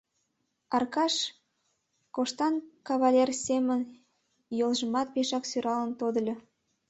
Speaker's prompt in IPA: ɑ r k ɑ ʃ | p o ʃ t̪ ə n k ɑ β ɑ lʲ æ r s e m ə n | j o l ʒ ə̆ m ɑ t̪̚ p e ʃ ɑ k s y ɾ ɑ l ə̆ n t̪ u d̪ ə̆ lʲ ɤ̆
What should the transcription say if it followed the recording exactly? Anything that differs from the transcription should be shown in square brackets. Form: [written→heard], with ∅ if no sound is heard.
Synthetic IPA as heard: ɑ r k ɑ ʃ | [p→k] o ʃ t̪ [ə→ɑ] n k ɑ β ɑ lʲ [æ→e] r s e m ə n | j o l ʒ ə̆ m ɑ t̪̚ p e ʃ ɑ k s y ɾ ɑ l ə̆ n t̪ [u→o] d̪ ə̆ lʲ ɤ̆

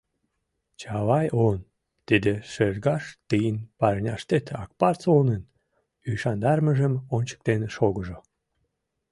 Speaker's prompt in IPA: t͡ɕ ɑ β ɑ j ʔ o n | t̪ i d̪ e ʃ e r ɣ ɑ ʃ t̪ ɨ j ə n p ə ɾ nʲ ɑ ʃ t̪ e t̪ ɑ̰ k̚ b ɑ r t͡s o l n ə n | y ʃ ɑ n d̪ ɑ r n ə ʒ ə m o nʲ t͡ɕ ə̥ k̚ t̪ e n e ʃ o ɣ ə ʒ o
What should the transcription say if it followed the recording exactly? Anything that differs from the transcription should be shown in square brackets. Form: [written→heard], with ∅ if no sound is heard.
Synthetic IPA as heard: t͡ɕ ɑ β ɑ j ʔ o n | t̪ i d̪ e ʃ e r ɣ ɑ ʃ t̪ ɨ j ə n p [ə→ɑ] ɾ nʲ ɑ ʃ t̪ e t̪ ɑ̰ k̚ [b→p] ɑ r t͡s o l n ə n | y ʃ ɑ n d̪ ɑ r [n→m] ə ʒ ə m o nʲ t͡ɕ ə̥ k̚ t̪ e n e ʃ o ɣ ə ʒ o

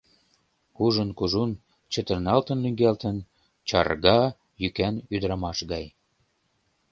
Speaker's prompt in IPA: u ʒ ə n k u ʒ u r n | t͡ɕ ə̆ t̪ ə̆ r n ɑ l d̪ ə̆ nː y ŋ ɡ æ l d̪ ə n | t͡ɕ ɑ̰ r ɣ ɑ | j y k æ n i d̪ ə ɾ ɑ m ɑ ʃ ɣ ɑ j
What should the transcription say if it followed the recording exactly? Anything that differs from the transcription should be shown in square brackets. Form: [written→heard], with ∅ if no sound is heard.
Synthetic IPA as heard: u ʒ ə n k u ʒ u [r→∅] n | t͡ɕ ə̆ t̪ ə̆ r n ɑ l [d̪→t̪] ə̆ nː y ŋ ɡ æ l [d̪→t̪] ə n | t͡ɕ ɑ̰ r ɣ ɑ | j y k æ n [i→y] d̪ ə ɾ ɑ m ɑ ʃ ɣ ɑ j

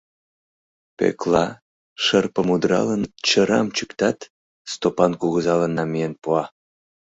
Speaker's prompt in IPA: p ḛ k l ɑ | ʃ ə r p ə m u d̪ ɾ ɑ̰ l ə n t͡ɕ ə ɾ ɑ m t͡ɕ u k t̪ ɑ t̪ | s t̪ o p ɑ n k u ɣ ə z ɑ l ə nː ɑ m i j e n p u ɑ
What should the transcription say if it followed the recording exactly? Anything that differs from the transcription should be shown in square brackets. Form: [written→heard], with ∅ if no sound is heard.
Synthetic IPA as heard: p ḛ k l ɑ | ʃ ə r p ə m u d̪ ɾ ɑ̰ l ə n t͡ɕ ə ɾ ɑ m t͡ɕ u k t̪ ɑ t̪ | s t̪ o p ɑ n k u ɣ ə z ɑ l ə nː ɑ m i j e n p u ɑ

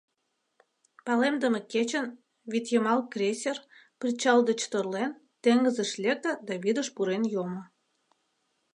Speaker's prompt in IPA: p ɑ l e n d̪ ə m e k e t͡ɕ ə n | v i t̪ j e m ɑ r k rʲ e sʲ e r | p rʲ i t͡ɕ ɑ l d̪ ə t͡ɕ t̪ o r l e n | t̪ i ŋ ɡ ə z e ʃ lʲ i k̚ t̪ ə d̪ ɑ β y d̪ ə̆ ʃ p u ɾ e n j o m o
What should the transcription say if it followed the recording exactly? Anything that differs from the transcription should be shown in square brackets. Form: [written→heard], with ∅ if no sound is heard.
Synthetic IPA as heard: p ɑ l e [n→m] d̪ ə m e k e t͡ɕ ə n | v i t̪ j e m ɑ [r→l] k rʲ e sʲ e r | p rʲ i t͡ɕ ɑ l d̪ ə t͡ɕ t̪ o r l e n | t̪ [i→e] ŋ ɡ ə z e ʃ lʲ [i→e] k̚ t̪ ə d̪ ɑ β [y→i] d̪ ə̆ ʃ p u ɾ e n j o m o

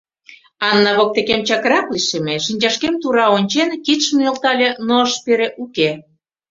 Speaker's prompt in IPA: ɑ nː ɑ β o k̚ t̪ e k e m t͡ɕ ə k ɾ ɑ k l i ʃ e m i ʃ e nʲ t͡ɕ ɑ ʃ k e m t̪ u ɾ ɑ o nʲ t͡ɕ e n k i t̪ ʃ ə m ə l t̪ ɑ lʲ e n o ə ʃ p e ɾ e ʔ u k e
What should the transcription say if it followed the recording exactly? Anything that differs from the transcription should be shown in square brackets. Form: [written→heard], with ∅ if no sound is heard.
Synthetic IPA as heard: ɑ nː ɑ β o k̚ t̪ e k e m t͡ɕ [ə→ɑ] k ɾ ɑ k l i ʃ e m [i→e] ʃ [e→i] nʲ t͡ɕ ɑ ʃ k e m t̪ u ɾ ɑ o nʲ t͡ɕ e n k i t̪ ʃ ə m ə l t̪ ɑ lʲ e n o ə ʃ p e ɾ e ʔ u k e

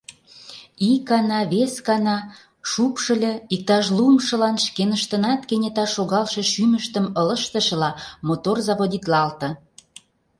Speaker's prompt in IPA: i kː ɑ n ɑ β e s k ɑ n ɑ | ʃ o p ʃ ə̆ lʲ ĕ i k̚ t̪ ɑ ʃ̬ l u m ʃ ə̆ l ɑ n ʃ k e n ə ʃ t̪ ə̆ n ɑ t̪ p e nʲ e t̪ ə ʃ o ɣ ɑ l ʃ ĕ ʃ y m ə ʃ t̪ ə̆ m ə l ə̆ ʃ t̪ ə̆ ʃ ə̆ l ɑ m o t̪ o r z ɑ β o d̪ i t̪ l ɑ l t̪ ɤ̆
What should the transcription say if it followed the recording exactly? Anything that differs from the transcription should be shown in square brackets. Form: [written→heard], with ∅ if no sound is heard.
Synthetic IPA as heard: i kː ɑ n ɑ β e s k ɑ n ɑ | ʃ [o→u] p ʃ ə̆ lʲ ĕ i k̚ t̪ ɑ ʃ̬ l u m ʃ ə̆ l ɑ n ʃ k e n ə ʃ t̪ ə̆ n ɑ t̪ [p→k] e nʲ e t̪ [ə→ɑ] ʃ o ɣ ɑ l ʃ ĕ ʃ y m ə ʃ t̪ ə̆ m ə l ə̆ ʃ t̪ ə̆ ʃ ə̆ l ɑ m o t̪ o r z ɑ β o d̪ i t̪ l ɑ l t̪ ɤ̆

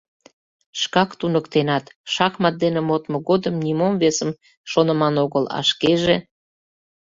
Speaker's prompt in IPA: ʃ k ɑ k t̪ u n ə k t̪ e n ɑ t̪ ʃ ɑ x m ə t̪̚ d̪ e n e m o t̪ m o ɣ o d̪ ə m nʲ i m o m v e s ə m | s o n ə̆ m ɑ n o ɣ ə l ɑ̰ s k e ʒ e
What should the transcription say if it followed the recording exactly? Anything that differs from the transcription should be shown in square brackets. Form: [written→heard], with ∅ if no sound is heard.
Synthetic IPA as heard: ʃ k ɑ k t̪ u n ə k t̪ e n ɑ t̪ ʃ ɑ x m [ə→ɑ] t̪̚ d̪ e n e m o t̪ m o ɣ o d̪ ə m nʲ i m o m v e s ə m | [s→ʃ] o n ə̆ m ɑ n o ɣ ə l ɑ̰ [s→ʃ] k e ʒ e

